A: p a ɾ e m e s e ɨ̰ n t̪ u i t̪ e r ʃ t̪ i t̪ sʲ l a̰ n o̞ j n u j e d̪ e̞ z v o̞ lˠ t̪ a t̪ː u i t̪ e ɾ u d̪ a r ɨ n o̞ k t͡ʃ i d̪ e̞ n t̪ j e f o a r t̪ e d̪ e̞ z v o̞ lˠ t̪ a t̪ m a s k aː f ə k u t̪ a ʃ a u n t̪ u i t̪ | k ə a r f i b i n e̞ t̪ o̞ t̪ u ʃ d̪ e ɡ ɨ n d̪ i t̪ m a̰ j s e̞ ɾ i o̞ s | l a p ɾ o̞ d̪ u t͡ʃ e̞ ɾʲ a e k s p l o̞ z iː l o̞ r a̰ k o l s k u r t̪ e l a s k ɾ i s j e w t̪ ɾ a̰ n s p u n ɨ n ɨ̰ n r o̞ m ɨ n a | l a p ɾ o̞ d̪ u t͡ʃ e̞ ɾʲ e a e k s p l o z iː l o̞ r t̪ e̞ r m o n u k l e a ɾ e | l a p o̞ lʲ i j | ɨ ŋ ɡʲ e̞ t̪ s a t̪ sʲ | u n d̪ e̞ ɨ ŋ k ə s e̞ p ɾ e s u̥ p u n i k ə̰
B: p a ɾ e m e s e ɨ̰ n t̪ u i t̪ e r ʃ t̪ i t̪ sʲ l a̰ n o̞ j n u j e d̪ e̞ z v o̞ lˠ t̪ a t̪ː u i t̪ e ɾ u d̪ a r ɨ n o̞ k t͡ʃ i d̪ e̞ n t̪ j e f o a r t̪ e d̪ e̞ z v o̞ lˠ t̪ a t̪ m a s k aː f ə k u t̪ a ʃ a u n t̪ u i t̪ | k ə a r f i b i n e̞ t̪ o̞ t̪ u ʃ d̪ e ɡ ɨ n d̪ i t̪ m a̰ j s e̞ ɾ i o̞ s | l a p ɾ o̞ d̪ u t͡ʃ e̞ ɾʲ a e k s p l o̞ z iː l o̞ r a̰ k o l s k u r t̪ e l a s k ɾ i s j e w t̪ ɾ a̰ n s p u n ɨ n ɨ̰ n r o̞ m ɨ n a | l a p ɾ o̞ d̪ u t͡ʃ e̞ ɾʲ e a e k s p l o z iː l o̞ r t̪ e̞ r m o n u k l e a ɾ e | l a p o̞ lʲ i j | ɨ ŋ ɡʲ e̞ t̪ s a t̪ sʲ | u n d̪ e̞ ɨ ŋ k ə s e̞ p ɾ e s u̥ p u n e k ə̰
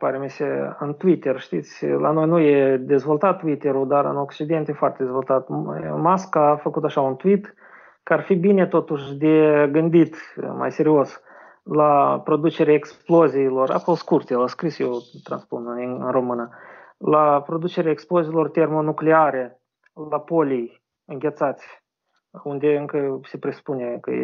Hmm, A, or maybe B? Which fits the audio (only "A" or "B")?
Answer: B